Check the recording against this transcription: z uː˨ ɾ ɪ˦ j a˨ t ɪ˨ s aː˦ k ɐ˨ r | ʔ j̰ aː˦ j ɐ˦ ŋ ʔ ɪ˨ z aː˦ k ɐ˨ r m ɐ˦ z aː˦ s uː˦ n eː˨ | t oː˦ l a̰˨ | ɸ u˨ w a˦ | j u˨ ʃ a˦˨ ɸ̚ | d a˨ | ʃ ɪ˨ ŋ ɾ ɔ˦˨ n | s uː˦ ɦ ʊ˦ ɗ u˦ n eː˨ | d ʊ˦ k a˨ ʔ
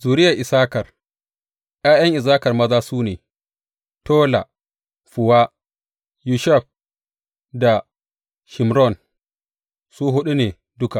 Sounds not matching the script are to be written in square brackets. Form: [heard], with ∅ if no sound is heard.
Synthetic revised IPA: z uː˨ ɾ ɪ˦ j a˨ [ʔ] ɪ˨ s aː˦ k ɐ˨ r | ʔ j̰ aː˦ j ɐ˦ ŋ ʔ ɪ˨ z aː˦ k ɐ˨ r m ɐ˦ z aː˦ s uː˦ n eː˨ | t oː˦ l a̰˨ | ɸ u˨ w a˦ | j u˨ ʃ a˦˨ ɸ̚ | d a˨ | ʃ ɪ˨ [m] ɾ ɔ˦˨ n | s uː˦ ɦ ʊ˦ ɗ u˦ n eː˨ | d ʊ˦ k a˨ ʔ

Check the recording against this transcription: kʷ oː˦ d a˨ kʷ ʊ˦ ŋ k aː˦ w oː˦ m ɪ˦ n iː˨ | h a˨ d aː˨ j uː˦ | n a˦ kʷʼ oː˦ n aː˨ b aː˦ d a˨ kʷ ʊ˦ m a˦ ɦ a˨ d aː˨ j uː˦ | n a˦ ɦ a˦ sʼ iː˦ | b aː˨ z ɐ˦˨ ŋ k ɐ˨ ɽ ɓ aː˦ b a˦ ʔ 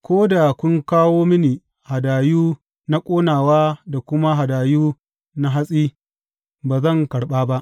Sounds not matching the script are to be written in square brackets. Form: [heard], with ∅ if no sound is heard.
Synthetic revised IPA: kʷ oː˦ d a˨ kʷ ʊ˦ ŋ k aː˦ w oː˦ m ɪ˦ n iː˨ | h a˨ d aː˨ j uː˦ | n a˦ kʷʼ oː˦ n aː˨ [w] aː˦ d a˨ kʷ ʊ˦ m a˦ ɦ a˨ d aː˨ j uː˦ | n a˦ ɦ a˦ sʼ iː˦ | b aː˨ z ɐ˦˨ ŋ k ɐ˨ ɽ ɓ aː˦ b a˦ ʔ

